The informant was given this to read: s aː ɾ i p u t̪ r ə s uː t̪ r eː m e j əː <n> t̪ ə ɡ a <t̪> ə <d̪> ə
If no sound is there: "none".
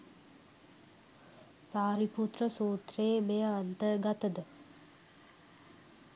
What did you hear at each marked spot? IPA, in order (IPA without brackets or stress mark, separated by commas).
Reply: n, t̪, d̪